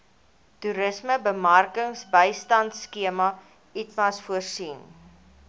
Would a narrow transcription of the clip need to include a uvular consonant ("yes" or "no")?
no